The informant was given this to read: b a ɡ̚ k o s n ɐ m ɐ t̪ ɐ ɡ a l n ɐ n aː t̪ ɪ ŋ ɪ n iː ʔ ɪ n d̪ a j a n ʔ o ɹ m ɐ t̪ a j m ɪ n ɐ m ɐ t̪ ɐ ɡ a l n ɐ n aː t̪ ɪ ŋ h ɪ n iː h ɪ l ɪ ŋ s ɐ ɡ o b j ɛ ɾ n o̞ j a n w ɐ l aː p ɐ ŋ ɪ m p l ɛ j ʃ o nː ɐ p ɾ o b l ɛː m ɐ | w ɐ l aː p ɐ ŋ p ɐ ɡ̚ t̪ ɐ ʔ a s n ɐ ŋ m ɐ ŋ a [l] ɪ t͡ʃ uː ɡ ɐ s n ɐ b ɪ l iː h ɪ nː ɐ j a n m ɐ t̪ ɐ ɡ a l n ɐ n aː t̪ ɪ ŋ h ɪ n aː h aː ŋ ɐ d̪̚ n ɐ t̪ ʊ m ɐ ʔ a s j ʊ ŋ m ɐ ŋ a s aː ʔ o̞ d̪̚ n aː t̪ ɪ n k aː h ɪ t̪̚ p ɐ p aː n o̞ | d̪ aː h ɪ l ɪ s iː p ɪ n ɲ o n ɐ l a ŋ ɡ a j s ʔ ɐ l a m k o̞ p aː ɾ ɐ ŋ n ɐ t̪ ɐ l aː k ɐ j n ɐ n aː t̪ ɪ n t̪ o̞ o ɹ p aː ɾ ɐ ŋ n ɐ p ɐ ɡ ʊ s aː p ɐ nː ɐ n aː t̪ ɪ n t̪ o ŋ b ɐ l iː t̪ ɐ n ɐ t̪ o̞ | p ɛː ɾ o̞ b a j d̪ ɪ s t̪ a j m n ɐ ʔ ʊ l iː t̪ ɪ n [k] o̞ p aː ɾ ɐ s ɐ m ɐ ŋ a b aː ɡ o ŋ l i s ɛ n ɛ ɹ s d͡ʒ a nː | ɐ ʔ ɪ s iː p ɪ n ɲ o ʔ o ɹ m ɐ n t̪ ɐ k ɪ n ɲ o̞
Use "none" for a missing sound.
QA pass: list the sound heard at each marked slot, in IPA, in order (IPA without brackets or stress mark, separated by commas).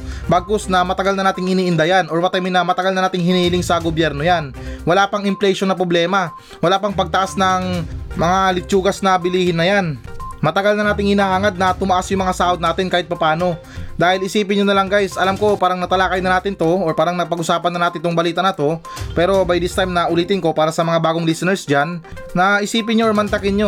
l, k